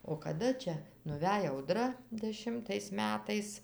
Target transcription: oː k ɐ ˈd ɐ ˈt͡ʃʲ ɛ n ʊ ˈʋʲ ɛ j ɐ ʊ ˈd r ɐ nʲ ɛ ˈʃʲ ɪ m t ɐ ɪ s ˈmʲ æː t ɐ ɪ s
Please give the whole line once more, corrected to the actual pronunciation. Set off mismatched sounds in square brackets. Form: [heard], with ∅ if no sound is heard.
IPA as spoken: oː k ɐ ˈd ɐ ˈt͡ʃʲ ɛ n ʊ ˈʋʲ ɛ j ɐ ʊ ˈd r ɐ [dʲ] ɛ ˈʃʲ ɪ m t ɐ ɪ s ˈmʲ æː t ɐ ɪ s